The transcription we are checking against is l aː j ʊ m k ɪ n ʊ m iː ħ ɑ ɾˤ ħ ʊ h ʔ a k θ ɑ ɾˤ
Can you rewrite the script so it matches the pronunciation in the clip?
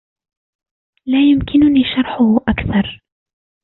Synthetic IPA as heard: l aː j ʊ m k ɪ n ʊ n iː ʃ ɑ ɾˤ ħ ʊ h ʔ a k θ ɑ ɾˤ